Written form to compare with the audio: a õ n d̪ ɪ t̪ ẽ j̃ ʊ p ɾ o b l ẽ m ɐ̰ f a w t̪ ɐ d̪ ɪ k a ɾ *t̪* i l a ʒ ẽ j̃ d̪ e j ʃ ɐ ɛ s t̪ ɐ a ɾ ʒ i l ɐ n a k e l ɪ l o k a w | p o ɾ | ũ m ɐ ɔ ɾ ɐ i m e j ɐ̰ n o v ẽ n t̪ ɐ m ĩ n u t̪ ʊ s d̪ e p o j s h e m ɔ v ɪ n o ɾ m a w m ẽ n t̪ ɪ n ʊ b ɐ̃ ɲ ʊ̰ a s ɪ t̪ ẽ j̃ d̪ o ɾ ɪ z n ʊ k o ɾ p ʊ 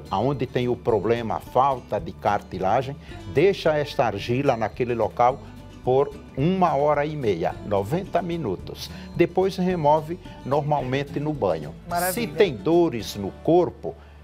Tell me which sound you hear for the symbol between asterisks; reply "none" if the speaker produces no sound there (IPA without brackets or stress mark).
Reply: t̪